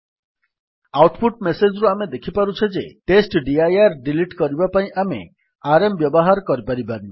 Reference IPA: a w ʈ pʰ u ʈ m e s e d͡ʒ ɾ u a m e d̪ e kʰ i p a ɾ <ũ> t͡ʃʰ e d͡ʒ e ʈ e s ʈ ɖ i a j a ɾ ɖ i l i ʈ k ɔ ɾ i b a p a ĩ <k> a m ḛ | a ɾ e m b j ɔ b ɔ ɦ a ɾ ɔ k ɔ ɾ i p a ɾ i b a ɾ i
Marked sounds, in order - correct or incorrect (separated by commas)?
incorrect, incorrect